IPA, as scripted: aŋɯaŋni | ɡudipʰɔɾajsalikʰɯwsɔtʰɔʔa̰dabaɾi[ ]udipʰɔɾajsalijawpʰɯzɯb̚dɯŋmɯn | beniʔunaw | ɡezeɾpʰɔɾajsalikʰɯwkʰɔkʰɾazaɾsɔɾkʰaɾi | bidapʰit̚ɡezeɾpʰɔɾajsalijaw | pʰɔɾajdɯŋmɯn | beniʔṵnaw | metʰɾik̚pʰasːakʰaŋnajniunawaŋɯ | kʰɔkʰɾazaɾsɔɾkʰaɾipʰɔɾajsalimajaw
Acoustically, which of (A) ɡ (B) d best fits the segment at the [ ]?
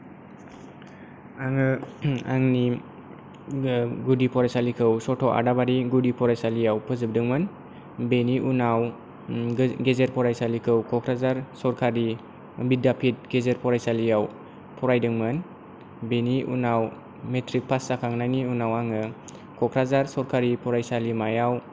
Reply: A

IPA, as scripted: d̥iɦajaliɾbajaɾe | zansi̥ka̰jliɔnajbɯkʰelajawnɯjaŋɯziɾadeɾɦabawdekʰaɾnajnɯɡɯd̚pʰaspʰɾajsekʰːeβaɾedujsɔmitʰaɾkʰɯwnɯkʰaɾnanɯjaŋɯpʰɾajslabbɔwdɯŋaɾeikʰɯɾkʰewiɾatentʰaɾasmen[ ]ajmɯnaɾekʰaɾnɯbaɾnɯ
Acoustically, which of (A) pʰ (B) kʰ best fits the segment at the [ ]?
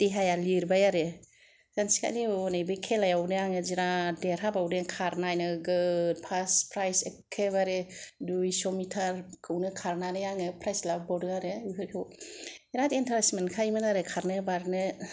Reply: B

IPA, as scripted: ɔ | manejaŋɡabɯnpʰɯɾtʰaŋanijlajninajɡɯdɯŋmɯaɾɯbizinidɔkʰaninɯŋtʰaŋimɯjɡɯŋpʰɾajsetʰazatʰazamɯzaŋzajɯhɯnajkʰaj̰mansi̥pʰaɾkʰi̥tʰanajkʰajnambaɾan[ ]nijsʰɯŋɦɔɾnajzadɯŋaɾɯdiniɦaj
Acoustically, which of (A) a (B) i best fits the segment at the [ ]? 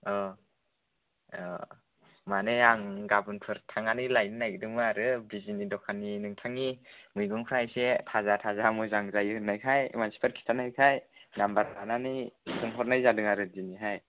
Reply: A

